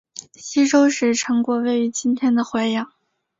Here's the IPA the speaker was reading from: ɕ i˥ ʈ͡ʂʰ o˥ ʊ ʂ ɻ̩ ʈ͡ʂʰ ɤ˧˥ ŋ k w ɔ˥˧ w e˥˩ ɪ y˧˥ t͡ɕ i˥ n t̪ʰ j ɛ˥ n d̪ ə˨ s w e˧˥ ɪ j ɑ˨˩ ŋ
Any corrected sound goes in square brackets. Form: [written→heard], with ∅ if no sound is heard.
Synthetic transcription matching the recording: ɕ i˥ [ʈ͡ʂʰ→ʈ͡ʂ] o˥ ʊ ʂ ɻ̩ ʈ͡ʂʰ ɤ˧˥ ŋ k w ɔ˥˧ w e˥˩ ɪ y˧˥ t͡ɕ i˥ n t̪ʰ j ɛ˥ n d̪ ə˨ [s→x] w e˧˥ ɪ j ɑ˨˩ ŋ